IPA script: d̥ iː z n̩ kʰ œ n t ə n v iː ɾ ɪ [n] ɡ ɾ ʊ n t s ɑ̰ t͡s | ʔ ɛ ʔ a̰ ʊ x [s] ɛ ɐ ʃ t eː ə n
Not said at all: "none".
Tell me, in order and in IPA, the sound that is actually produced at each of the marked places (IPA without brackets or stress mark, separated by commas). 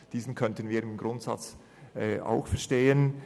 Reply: m, f